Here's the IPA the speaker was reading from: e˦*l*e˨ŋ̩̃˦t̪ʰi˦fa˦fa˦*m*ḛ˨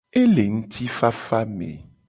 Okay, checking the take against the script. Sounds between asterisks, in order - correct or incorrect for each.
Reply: correct, correct

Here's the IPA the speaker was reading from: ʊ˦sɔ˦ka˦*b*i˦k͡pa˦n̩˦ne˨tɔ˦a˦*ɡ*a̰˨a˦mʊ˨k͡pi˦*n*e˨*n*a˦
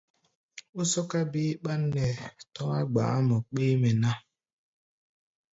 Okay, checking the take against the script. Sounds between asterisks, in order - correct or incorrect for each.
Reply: correct, incorrect: ɡ͡b, incorrect: m, correct

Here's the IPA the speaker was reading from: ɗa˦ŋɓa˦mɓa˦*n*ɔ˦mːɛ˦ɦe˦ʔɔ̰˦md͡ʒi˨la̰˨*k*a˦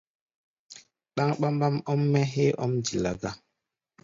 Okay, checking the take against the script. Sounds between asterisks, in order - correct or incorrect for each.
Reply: incorrect: m, incorrect: ɡ

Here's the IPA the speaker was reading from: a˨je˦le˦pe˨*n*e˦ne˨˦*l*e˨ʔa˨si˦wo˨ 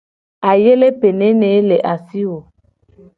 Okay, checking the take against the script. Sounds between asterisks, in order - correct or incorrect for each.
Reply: correct, correct

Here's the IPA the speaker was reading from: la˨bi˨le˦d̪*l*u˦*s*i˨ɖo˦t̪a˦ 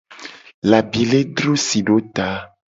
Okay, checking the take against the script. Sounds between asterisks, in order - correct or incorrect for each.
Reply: incorrect: ɾ, correct

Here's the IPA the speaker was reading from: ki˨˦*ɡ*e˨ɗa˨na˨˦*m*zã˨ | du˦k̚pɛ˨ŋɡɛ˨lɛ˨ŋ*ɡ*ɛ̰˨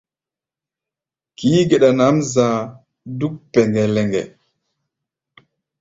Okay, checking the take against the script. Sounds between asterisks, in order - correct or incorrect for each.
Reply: correct, correct, correct

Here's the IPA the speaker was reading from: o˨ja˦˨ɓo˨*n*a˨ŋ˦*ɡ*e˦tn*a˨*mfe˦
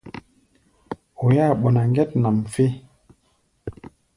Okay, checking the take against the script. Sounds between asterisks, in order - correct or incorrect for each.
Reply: correct, correct, correct

